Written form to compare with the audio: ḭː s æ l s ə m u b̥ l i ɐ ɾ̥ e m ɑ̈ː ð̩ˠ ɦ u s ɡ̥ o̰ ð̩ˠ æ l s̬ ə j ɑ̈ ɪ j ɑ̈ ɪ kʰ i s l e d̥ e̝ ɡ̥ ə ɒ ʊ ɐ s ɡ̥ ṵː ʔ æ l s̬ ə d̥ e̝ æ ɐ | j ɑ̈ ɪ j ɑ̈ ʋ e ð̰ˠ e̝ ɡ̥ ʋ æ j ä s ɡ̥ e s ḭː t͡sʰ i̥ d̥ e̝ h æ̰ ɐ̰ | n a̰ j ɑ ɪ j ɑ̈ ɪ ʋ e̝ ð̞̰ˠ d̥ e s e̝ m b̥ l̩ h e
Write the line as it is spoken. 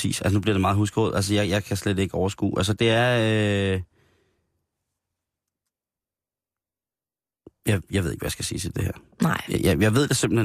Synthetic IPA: ḭː s æ l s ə n u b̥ l i ɐ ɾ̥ e m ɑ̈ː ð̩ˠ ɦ u s ɡ̥ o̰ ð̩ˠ æ l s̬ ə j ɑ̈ ɪ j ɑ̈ ɪ kʰ æ s l e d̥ e̝ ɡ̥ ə ɒ ʊ ɐ s ɡ̥ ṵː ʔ æ l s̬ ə d̥ e̝ æ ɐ | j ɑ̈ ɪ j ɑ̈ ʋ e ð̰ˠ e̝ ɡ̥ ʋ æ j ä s ɡ̥ æ s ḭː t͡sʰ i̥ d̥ e̝ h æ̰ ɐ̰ | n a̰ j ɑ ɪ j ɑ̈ ɪ ʋ e̝ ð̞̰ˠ d̥ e s e̝ m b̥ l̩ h e